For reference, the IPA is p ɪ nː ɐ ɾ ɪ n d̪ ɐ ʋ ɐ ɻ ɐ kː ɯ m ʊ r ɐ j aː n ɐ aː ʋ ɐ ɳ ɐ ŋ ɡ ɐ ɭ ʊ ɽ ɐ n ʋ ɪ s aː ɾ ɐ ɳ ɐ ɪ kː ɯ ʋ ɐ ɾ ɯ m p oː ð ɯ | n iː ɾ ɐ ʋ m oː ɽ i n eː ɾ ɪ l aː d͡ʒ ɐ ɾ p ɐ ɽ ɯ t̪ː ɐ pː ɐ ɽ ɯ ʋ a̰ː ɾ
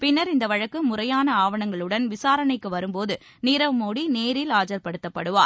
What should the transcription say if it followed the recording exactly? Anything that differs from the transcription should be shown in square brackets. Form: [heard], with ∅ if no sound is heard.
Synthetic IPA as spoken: p ɪ nː ɐ ɾ ɪ n d̪ ɐ ʋ ɐ ɻ ɐ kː ɯ m ʊ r ɐ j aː n ɐ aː ʋ ɐ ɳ ɐ ŋ ɡ ɐ ɭ [ɯ] ɽ ɐ n ʋ ɪ s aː ɾ ɐ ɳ ɐ ɪ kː ɯ ʋ ɐ ɾ ɯ m p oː ð ɯ | n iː ɾ ɐ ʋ m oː ɽ i n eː ɾ ɪ l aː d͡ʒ ɐ ɾ p ɐ ɽ ɯ t̪ː ɐ pː ɐ ɽ ɯ ʋ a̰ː ɾ